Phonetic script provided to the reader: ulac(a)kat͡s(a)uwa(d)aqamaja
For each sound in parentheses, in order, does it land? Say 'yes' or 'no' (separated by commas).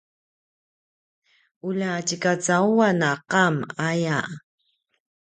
no, yes, no